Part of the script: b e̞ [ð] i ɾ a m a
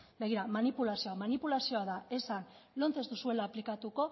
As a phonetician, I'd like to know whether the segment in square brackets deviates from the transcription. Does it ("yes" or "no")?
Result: yes